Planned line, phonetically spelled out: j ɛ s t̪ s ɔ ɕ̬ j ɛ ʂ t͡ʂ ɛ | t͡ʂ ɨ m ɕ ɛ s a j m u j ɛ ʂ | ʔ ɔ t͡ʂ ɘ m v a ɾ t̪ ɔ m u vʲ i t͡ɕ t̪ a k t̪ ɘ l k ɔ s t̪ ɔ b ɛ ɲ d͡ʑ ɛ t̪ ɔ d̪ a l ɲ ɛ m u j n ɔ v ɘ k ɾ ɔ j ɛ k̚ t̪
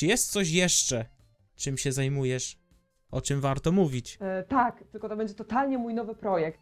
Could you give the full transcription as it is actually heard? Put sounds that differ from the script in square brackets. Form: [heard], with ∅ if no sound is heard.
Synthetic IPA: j ɛ s t̪ s ɔ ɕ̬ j ɛ ʂ t͡ʂ ɛ | t͡ʂ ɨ m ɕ ɛ [z] a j m u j ɛ ʂ | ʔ ɔ t͡ʂ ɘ m v a ɾ t̪ ɔ m u vʲ i t͡ɕ t̪ a k t̪ ɘ l k ɔ [∅] t̪ ɔ b ɛ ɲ d͡ʑ ɛ t̪ ɔ [t̪] a l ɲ ɛ m u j n ɔ v ɘ [p] ɾ ɔ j ɛ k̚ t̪